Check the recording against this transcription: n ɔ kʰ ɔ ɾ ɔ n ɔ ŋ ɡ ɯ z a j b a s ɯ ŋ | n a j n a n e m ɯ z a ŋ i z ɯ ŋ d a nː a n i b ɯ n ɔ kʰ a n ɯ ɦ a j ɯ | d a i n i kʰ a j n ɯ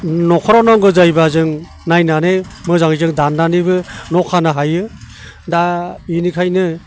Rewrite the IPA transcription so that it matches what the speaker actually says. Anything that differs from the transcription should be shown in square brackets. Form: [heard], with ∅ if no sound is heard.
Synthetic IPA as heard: n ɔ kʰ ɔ ɾ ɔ n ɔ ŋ ɡ ɯ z a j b a [z] ɯ ŋ | n a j n a n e m ɯ z a ŋ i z ɯ ŋ d a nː a n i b ɯ n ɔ kʰ a n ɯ ɦ a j ɯ | d a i n i kʰ a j n ɯ